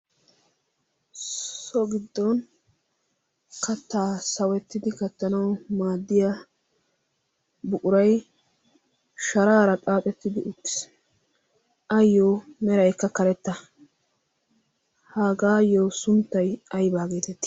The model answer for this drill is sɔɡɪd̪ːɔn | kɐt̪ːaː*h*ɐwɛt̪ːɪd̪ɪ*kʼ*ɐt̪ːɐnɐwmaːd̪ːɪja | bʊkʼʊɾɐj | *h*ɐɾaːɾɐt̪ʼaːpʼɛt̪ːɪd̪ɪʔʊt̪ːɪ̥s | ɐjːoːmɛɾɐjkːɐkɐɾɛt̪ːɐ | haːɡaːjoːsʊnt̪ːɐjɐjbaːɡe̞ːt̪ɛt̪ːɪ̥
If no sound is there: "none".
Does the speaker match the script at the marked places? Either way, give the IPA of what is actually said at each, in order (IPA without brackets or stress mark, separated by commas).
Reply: s, k, ʃ